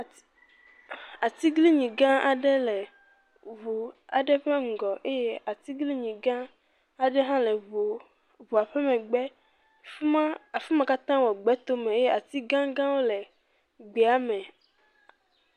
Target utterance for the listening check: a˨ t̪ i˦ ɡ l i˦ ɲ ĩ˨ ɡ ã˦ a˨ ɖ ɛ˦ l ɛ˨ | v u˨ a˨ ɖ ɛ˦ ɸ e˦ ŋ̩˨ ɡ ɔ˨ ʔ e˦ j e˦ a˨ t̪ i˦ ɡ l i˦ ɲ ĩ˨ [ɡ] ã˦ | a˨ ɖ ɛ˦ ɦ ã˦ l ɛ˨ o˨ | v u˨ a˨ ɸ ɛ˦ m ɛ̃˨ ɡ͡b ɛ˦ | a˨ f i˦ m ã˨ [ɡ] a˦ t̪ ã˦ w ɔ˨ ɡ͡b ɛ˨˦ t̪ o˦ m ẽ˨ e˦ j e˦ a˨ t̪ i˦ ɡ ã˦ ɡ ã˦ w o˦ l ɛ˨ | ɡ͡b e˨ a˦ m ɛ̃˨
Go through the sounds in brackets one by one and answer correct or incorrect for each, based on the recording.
correct, incorrect

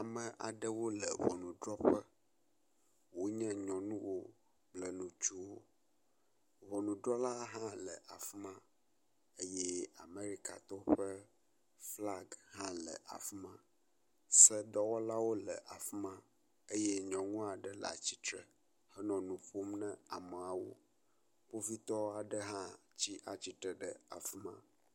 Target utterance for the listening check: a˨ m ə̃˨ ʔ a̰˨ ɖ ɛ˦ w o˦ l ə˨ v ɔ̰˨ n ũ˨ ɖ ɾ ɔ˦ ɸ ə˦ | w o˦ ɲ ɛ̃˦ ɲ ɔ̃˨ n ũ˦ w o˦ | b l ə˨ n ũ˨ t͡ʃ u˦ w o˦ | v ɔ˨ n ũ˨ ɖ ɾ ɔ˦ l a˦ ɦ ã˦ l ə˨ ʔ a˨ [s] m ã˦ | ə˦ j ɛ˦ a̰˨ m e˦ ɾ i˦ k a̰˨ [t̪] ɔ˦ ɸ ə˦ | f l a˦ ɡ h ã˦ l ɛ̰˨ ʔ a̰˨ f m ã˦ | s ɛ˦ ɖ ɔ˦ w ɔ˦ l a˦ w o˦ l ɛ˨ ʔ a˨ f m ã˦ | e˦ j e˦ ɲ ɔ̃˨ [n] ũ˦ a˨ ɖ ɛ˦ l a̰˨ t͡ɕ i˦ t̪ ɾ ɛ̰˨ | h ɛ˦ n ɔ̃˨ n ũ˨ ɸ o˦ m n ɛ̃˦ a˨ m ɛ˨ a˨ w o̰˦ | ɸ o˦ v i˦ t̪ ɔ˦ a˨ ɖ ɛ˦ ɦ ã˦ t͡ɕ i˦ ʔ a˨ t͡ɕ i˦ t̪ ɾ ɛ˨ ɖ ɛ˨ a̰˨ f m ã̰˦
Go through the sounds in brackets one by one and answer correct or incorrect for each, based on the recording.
incorrect, correct, incorrect

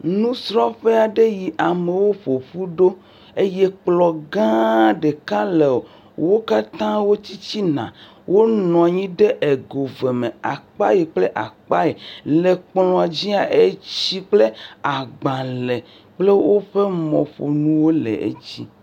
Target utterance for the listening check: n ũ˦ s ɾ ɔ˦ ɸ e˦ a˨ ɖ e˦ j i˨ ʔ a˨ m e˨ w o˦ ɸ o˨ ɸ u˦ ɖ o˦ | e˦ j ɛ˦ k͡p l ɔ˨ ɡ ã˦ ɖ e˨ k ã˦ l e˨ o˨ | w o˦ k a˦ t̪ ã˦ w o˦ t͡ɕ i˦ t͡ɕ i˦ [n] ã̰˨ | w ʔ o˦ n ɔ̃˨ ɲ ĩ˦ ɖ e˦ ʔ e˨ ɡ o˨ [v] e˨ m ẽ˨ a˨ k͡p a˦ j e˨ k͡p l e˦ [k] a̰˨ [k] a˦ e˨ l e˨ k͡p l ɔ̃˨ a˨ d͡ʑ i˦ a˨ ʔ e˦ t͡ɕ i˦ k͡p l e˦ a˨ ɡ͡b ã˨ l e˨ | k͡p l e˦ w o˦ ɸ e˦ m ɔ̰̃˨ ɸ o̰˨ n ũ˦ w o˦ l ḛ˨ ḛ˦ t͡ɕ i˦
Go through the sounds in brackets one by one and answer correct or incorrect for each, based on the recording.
correct, correct, incorrect, incorrect

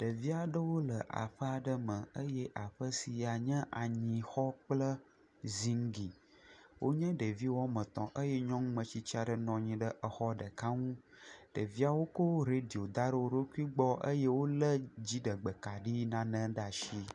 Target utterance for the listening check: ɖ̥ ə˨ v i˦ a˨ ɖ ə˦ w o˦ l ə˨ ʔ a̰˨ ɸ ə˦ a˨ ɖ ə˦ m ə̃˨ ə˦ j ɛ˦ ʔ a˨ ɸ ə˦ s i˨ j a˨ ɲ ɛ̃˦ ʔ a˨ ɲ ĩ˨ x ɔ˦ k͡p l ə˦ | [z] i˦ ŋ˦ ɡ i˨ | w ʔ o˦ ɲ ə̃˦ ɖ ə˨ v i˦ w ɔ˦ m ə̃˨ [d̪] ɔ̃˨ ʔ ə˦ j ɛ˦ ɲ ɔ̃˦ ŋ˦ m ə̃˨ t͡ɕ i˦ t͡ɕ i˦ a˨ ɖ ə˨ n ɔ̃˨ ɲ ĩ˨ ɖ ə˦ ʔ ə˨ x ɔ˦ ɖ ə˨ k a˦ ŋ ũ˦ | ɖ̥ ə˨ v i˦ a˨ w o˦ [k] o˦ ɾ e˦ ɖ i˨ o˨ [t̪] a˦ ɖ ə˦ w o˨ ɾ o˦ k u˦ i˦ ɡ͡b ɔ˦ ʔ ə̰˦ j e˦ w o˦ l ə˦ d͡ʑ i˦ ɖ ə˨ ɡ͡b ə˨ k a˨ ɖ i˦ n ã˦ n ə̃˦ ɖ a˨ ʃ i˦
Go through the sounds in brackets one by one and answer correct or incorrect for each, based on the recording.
correct, incorrect, correct, incorrect

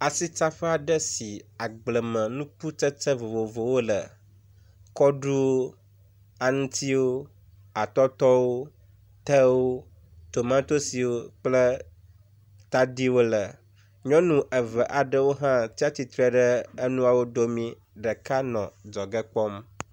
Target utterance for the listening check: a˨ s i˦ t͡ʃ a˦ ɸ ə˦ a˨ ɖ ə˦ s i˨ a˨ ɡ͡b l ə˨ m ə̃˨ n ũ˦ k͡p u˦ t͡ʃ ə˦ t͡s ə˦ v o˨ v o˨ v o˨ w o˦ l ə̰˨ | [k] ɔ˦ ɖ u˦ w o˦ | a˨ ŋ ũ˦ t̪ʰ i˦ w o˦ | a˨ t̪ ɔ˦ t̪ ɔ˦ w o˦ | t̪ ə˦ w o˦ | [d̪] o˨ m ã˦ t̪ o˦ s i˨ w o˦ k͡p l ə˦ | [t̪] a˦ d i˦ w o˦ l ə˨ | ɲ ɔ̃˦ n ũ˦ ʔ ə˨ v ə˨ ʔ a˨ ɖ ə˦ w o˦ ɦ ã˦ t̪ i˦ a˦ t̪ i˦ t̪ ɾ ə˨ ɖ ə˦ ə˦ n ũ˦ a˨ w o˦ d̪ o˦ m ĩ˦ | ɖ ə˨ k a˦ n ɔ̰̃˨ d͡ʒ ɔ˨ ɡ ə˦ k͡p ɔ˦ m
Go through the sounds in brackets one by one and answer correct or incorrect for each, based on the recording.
correct, incorrect, correct

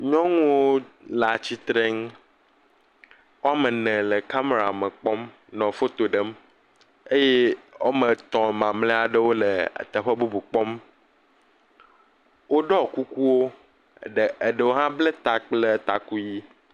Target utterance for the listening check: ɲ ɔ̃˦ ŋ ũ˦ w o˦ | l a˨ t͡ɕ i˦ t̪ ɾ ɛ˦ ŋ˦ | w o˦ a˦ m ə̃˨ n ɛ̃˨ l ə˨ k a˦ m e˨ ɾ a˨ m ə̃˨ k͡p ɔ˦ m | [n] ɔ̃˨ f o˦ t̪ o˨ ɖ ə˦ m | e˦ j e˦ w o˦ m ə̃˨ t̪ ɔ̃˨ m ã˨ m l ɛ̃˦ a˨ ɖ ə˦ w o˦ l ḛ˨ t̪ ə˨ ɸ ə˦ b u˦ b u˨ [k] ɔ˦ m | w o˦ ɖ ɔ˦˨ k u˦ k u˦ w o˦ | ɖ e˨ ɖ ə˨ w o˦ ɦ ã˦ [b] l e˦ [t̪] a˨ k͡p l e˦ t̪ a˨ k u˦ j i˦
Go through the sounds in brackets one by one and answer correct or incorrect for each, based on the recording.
correct, incorrect, correct, correct

